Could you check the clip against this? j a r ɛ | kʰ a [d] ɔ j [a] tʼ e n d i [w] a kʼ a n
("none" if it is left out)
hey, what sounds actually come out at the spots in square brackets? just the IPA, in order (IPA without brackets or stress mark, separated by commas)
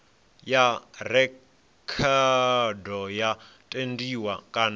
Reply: d, a, w